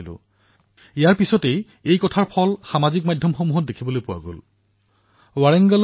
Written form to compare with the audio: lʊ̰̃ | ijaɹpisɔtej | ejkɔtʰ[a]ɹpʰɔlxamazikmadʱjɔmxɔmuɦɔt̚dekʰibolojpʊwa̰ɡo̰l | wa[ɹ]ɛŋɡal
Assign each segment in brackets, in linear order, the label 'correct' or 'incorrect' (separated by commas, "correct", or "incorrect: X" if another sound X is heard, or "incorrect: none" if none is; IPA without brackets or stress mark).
correct, correct